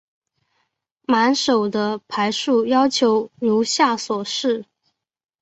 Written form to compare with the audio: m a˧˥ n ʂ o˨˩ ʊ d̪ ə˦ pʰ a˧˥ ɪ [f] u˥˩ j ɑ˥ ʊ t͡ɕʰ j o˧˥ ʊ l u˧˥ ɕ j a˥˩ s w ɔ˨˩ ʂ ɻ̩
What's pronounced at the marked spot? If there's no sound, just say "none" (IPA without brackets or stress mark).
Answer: ʂ